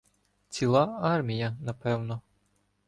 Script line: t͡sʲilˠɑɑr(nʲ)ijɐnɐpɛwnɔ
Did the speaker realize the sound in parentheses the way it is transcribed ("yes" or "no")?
no